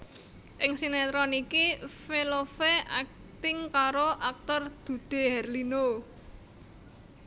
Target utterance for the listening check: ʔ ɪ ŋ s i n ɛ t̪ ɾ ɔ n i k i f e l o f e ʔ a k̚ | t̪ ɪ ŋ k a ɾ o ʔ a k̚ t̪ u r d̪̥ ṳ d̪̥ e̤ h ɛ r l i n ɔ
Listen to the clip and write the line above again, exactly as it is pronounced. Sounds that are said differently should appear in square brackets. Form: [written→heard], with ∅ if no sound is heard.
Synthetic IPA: ʔ ɪ ŋ s i n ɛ t̪ ɾ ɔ n i k i f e l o f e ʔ a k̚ | t̪ ɪ ŋ k a ɾ o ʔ a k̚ t̪ [u→ɔ] r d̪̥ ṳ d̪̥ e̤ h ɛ r l i n [ɔ→o]